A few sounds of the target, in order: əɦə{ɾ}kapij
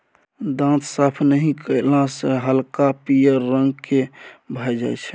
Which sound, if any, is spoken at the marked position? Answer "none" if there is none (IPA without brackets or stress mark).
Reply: l